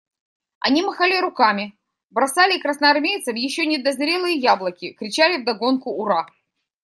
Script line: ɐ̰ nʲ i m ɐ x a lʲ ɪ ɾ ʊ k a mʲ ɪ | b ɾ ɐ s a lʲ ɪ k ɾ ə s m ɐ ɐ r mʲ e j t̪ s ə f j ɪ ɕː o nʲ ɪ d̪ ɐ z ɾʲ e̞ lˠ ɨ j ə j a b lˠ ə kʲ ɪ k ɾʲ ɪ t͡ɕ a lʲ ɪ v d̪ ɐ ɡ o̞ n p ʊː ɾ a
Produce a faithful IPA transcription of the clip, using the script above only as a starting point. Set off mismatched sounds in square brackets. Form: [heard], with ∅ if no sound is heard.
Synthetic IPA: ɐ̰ nʲ i m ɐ x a lʲ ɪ ɾ ʊ k a mʲ ɪ | b ɾ ɐ s a lʲ ɪ k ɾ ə s [n] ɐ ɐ r mʲ e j t̪ s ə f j ɪ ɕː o nʲ ɪ d̪ ɐ z ɾʲ e̞ lˠ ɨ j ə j a b lˠ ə kʲ ɪ k ɾʲ ɪ t͡ɕ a lʲ ɪ v d̪ ɐ ɡ o̞ n [k] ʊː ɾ a